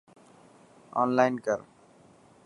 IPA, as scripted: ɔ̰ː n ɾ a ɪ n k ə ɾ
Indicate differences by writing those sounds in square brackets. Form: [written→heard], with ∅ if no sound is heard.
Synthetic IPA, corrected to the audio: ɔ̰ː n [ɾ→l] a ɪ n k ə ɾ